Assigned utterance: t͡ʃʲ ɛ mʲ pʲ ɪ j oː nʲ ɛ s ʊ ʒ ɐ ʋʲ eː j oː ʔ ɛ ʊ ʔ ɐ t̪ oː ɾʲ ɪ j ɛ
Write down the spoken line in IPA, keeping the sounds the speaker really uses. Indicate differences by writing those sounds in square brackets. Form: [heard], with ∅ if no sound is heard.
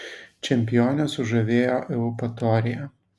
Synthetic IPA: t͡ʃʲ ɛ mʲ pʲ ɪ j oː nʲ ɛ s ʊ ʒ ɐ ʋʲ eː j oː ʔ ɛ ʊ [p] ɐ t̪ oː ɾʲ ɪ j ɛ